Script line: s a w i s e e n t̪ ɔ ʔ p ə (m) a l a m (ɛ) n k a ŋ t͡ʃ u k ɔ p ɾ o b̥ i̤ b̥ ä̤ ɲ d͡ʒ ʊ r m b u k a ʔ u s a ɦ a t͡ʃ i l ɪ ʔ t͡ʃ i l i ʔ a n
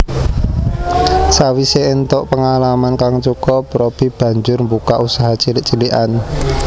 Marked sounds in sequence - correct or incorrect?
incorrect: ŋ, incorrect: a

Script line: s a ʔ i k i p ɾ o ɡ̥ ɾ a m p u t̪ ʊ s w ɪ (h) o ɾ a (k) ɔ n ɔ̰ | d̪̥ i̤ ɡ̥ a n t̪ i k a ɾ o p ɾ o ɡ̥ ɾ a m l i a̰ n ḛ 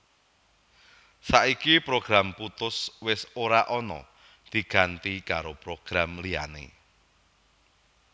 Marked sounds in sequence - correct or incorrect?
incorrect: s, incorrect: ʔ

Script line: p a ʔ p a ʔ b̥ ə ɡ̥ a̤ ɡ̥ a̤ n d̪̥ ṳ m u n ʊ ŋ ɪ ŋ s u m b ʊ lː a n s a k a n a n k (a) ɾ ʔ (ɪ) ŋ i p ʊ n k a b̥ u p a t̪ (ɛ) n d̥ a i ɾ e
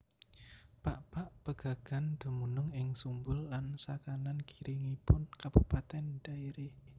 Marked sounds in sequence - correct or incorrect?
incorrect: i, incorrect: i, correct

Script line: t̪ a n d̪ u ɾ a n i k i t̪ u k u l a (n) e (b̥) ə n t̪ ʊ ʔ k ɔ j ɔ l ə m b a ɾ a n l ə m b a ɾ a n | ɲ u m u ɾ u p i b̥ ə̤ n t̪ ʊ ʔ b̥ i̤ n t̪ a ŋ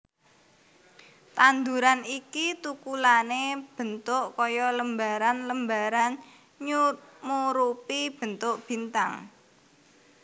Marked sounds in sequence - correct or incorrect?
correct, correct

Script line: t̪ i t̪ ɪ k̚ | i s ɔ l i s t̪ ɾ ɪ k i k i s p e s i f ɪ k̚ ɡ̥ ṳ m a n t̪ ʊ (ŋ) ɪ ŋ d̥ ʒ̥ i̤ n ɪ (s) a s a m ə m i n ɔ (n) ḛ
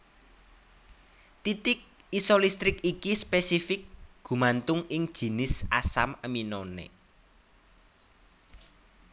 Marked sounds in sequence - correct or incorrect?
correct, correct, correct

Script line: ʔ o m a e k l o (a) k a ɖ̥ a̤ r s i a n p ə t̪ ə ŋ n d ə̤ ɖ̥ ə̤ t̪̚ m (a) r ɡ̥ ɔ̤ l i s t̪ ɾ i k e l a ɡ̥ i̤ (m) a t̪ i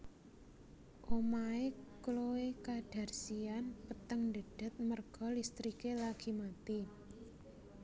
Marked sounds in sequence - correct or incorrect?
incorrect: e, incorrect: ə, correct

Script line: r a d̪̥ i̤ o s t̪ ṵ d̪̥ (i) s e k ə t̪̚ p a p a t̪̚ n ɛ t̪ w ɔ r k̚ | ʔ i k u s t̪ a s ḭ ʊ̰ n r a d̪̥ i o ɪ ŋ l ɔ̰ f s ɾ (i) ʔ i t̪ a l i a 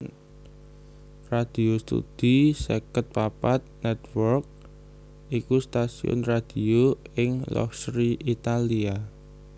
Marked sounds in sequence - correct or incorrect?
correct, correct

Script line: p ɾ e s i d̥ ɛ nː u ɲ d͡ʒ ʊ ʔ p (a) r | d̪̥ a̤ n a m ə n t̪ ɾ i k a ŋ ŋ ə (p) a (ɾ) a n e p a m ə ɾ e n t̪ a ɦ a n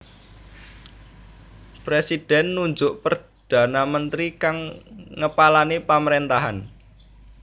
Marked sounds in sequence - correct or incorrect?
incorrect: ə, correct, incorrect: l

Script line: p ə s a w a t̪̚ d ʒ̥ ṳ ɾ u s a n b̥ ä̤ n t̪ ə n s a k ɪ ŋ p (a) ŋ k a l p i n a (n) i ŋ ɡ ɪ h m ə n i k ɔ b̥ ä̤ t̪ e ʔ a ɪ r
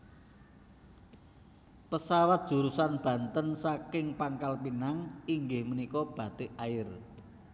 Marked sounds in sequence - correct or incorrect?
correct, incorrect: ŋ

